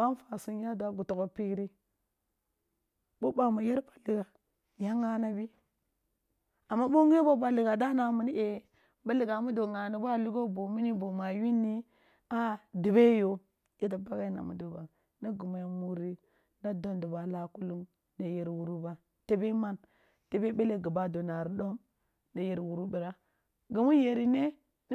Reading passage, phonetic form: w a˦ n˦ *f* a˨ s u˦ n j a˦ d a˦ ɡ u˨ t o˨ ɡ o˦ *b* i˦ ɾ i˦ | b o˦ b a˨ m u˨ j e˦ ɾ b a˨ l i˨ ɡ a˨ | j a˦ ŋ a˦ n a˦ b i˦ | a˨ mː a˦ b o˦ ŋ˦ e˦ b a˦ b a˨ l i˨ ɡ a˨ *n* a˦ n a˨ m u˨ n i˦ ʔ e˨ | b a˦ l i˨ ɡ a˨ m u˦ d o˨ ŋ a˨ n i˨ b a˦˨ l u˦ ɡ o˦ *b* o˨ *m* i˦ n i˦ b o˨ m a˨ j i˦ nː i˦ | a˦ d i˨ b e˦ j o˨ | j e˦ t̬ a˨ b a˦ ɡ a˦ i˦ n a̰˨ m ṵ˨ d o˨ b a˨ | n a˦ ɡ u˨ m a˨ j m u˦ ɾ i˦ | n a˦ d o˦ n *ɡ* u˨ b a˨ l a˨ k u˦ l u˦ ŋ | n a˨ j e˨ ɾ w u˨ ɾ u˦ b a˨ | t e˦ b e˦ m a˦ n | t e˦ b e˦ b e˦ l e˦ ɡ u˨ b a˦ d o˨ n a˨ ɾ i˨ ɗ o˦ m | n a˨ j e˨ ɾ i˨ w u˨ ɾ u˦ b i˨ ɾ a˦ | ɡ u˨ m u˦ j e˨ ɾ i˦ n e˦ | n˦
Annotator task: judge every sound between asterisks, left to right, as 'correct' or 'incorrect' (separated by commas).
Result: correct, incorrect, incorrect, correct, correct, incorrect